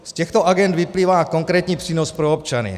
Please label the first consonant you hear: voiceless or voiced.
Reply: voiceless